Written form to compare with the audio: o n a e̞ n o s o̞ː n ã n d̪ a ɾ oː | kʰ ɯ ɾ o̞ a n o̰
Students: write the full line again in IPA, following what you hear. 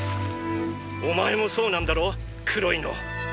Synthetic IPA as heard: o m a e̞ m o s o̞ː n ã n d̪ a ɾ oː | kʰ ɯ ɾ o̞ i n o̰